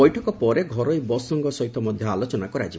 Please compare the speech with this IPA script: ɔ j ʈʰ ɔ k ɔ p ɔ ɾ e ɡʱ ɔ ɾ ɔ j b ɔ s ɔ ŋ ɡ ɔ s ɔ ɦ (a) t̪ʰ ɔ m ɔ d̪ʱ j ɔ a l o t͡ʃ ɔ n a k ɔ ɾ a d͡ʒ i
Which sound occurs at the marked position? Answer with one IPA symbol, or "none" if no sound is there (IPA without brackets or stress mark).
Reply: i